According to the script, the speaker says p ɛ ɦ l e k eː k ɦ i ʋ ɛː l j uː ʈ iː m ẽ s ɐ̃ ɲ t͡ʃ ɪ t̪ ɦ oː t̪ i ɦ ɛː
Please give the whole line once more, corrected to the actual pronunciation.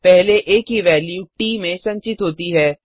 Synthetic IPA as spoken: p ɛ ɦ l e ʔ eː k ɦ i ʋ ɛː l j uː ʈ iː m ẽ s ɐ̃ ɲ t͡ʃ ɪ t̪ ɦ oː t̪ i ɦ ɛː

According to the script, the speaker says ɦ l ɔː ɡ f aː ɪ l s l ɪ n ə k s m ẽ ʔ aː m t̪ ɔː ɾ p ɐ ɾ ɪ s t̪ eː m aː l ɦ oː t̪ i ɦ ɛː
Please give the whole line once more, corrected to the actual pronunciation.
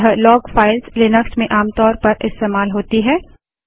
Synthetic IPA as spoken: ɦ l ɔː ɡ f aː ɪ l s l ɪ n ə k s m ẽ ʔ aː m t̪ ɔː ɾ p ɐ ɾ ɪ s t̪ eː m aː l ɦ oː t̪ i ɦ ɛː

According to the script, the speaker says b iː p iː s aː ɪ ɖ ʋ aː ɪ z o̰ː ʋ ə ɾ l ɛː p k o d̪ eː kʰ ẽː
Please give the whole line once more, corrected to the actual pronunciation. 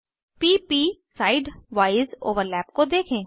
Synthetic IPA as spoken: p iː p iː s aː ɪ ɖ ʋ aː ɪ z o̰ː ʋ ə ɾ l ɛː p k o d̪ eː kʰ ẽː

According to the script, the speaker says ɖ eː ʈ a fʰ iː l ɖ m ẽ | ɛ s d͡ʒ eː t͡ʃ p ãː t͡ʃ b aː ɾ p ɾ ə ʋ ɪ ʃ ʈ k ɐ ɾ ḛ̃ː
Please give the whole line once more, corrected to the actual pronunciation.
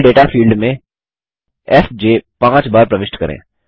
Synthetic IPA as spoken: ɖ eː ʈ a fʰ iː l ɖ m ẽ | ɛ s d͡ʒ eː p ãː t͡ʃ b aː ɾ p ɾ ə ʋ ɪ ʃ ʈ k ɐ ɾ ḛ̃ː

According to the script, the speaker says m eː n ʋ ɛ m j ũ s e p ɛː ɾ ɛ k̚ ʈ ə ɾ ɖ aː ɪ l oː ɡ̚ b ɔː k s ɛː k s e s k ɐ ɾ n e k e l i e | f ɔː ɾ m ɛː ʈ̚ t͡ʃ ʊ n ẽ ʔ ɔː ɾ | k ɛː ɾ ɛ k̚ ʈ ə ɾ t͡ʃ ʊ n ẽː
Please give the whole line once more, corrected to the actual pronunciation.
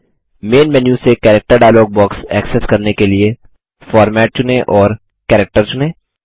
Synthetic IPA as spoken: m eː n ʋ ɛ n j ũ s e k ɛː ɾ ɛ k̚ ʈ ə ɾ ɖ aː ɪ l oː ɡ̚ b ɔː k s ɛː k s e s k ɐ ɾ n e k e l i e | f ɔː ɾ m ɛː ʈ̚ t͡ʃ ʊ n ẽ ʔ ɔː ɾ | k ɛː ɾ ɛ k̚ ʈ ə ɾ t͡ʃ ʊ n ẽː

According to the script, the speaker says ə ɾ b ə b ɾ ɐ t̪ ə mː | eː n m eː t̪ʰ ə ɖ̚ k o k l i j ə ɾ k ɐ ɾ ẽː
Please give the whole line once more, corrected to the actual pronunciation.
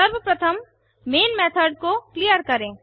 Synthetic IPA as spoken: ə ɾ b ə p ɾ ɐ t̪ʰ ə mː | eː n m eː t̪ʰ ə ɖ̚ k o k l i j ə ɾ k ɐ ɾ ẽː

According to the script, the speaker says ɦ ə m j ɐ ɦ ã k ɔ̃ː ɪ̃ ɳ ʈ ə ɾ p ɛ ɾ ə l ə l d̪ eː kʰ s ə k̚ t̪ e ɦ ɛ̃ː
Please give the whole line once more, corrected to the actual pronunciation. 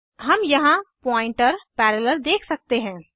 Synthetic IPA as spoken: ɦ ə m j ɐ ɦ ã p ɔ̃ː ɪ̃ ɳ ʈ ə ɾ p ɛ ɾ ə l ə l d̪ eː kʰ s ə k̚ t̪ e ɦ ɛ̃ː

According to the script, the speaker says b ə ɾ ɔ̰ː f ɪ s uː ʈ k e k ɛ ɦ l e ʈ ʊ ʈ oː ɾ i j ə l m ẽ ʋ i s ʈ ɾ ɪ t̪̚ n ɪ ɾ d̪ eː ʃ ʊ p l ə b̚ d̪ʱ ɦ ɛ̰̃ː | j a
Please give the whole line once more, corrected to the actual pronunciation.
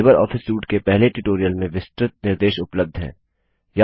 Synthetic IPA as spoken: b ə ɾ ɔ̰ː f ɪ s uː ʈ k e p ɛ ɦ l e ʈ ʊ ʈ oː ɾ i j ə l m ẽ ʋ ɪ s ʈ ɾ ɪ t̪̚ n ɪ ɾ d̪ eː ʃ ʊ p l ə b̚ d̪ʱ ɦ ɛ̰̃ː | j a

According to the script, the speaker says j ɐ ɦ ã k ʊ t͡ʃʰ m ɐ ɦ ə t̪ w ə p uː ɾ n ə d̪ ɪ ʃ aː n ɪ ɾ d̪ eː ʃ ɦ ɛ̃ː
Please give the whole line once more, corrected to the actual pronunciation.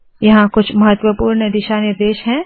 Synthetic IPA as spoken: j ɐ ɦ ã k ʊ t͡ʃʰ m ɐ ɦ ə t̪ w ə p uː ɾ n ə d̪ ɪ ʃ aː n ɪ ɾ d̪ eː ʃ ɦ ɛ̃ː

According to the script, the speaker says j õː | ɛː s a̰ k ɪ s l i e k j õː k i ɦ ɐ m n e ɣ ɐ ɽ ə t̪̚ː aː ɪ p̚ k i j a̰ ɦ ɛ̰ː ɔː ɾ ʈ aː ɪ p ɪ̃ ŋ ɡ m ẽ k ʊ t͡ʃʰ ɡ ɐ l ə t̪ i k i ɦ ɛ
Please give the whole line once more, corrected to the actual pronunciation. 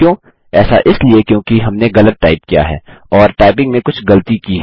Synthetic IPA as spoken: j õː | ɛː s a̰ ʔ ɪ s l i e k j õː k i ɦ ɐ m n e ɣ ɐ l ə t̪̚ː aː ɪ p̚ k i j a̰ ɦ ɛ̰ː ɔː ɾ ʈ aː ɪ p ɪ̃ ŋ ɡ m ẽ k ʊ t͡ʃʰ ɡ ɐ l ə t̪ i k i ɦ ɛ

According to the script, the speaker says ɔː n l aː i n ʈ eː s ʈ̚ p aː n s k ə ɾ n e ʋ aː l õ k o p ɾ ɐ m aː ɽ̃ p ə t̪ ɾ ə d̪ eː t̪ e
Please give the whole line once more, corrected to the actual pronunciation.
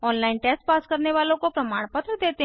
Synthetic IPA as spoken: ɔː n l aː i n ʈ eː s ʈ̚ p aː s k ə ɾ n e ʋ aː l õ k o p ɾ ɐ m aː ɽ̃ p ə t̪ ɾ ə d̪ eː t̪ e

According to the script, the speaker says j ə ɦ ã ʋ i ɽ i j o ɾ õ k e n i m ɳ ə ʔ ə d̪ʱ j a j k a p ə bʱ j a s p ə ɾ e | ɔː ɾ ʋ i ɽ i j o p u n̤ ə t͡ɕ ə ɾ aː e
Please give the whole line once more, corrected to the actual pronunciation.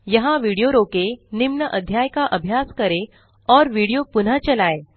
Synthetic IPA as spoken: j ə ɦ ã ʋ i ɽ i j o ɾ o k e n i m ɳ ə ʔ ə d̪ʱ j a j k a ʔ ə bʱ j a s k ə ɾ e | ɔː ɾ ʋ i ɽ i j o p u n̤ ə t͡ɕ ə l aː e

